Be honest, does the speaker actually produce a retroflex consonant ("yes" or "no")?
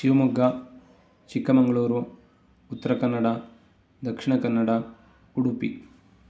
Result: yes